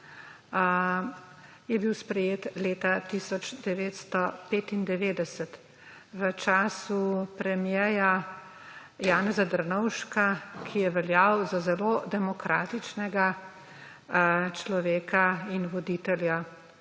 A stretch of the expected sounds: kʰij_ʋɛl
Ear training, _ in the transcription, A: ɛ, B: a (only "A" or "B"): A